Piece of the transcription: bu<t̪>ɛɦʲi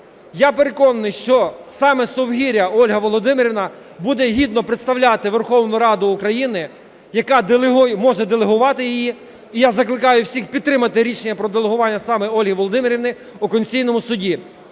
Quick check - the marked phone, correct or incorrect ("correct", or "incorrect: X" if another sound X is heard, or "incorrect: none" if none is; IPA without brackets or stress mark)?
incorrect: d̪